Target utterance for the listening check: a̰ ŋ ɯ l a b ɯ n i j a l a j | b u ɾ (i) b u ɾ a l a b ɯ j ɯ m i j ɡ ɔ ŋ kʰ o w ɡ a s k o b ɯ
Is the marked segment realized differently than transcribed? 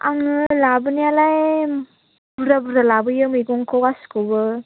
yes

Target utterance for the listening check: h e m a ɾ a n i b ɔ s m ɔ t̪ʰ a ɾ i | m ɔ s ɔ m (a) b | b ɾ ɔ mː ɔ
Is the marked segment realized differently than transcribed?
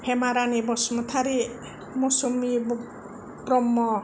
yes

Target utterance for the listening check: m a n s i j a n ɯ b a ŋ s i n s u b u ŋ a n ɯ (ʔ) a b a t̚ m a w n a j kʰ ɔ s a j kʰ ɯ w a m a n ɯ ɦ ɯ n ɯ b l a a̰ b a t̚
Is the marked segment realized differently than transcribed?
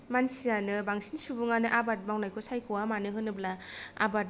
no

